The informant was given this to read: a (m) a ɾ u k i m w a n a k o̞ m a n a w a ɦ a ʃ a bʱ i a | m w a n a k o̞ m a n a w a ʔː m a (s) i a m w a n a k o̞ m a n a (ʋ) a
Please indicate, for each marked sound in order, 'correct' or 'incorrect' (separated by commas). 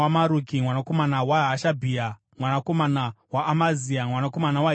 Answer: correct, incorrect, incorrect